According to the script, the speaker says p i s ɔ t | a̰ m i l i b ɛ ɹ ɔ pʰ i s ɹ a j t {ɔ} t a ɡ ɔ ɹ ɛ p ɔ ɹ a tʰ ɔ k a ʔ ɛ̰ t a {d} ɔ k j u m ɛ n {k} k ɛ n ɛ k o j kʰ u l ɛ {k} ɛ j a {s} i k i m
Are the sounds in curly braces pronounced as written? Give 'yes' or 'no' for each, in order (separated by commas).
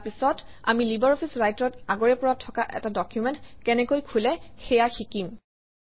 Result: yes, yes, no, no, no